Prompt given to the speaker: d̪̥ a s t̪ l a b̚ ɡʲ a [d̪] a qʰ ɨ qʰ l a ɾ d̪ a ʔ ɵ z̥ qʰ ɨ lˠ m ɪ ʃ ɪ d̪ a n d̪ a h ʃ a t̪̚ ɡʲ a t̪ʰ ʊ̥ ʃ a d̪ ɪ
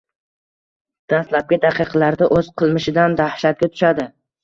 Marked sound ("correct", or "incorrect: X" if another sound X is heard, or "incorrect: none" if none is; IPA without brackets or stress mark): correct